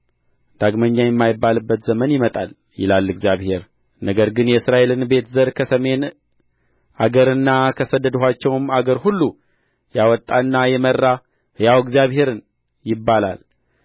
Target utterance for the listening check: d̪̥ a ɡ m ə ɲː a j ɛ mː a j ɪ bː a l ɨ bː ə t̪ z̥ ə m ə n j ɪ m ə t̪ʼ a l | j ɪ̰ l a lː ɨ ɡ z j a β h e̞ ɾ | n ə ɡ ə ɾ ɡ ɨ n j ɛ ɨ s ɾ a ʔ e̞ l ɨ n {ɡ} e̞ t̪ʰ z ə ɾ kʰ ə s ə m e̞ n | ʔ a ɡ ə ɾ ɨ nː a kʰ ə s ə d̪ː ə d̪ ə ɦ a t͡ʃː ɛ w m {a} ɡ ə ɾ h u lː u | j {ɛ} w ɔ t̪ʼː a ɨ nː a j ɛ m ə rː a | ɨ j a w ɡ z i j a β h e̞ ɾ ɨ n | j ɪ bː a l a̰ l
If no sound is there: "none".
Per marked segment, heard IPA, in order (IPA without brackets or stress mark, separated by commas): b, a, a